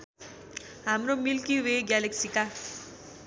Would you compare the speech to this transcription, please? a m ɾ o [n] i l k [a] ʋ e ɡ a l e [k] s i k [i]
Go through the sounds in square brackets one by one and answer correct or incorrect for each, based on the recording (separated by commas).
incorrect, incorrect, correct, incorrect